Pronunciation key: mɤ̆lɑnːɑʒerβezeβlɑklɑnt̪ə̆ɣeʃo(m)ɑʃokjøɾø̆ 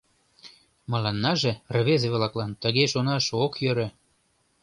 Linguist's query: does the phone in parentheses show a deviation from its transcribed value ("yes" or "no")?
yes